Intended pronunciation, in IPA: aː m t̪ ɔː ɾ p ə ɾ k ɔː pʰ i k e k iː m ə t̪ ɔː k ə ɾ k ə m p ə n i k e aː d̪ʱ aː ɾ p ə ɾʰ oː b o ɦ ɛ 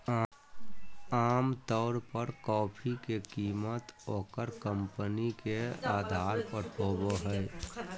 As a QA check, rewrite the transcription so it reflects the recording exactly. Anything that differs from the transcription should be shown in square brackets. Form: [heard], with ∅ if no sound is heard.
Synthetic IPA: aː m t̪ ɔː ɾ p ə ɾ k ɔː pʰ i k e k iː m ə t̪ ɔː k ə ɾ k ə m p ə n i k e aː d̪ʱ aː ɾ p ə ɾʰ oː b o ɦ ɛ

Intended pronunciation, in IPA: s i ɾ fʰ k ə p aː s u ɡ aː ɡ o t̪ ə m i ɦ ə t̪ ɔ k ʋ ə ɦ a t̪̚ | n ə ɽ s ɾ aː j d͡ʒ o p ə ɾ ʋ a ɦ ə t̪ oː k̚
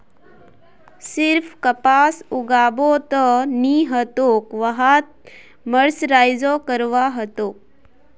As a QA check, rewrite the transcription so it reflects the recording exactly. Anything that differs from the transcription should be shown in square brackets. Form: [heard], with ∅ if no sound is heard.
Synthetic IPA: s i ɾ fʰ k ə p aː s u ɡ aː [b] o t̪ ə [n] i ɦ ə t̪ [o] k ʋ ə ɦ a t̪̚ | [m] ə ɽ s ɾ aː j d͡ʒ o [k] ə ɾ ʋ a ɦ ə t̪ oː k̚

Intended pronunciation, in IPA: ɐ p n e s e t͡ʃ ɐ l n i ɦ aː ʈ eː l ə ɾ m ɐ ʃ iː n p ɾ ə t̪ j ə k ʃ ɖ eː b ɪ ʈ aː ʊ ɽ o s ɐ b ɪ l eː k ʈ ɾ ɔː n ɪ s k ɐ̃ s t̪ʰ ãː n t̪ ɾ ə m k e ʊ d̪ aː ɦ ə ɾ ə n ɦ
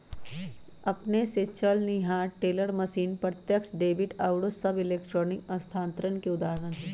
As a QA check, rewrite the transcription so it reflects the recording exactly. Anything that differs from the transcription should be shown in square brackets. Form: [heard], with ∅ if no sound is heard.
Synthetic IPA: ɐ p n e s e t͡ʃ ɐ l n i ɦ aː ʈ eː l ə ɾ m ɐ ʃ iː n p ɾ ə t̪ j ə k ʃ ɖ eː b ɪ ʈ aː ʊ ɽ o s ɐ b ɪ l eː k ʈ ɾ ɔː n ɪ [∅] k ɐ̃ s t̪ʰ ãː n t̪ ɾ ə [n] k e ʊ d̪ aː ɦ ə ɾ ə n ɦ

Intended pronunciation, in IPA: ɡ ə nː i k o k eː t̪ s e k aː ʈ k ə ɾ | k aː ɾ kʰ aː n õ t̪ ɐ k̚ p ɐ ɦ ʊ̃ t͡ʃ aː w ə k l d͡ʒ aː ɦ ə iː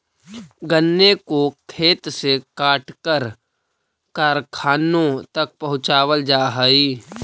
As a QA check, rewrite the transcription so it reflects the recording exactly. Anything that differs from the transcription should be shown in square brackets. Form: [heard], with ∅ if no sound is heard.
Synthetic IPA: ɡ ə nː [e] k o [kʰ] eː t̪ s e k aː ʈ k ə ɾ | k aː ɾ kʰ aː n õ t̪ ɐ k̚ p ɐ ɦ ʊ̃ t͡ʃ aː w ə [∅] l d͡ʒ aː ɦ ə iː

